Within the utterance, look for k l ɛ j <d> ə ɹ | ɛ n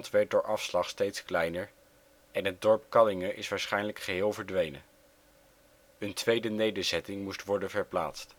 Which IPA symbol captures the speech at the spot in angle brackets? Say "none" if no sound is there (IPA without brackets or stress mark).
n